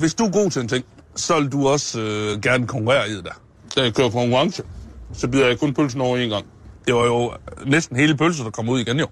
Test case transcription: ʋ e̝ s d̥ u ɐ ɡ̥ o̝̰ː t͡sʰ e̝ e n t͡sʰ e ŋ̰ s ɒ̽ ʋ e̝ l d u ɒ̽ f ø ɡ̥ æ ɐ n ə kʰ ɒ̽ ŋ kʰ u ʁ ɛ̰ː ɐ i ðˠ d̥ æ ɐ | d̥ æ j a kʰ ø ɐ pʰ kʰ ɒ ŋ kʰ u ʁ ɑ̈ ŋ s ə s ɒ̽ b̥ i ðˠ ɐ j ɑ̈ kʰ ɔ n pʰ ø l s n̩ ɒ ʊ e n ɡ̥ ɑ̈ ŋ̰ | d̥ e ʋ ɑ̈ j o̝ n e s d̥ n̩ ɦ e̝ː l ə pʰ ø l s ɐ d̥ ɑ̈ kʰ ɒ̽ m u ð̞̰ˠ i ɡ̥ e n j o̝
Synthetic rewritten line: ʋ e̝ s d̥ u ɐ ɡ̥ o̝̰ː t͡sʰ e̝ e n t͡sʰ e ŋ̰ s ɒ̽ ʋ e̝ l d u ɒ̽ s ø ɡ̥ æ ɐ n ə kʰ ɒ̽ ŋ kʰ u ʁ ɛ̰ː ɐ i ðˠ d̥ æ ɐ | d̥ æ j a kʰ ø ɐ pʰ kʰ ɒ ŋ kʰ u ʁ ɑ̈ ŋ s ə s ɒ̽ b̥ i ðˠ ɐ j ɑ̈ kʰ ɔ n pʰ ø l s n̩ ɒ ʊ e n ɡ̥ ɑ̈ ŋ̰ | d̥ e ʋ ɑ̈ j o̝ n e s d̥ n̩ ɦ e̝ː l ə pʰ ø l s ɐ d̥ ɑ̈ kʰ ɒ̽ m u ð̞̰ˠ i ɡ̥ e n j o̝